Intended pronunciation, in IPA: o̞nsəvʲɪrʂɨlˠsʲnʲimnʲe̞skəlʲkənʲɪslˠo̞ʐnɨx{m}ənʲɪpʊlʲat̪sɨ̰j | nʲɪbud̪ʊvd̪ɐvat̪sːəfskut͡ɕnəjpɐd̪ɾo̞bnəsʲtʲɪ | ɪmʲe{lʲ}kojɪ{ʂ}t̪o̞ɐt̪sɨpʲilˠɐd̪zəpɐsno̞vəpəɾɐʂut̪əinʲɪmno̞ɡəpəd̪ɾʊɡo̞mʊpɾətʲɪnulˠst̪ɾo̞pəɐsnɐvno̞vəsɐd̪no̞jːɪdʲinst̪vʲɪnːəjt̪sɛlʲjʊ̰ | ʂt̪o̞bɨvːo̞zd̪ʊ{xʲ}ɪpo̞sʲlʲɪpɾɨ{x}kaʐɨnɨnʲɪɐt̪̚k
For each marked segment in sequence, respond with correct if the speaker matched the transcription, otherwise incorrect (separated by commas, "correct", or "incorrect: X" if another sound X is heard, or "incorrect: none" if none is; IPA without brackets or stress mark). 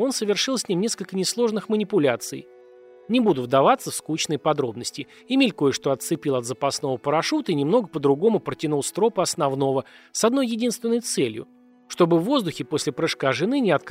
correct, correct, correct, correct, incorrect: ʂ